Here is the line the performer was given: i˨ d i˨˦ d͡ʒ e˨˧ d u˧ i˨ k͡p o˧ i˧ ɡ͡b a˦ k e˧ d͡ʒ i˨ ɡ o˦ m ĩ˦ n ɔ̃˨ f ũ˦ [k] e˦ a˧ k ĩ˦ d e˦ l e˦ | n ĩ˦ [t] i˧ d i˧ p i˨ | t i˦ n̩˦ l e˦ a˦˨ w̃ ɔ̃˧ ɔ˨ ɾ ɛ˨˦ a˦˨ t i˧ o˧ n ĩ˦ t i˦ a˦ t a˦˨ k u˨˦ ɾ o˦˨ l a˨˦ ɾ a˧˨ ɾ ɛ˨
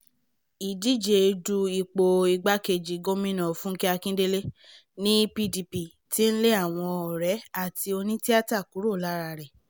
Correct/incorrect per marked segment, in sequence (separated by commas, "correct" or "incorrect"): correct, incorrect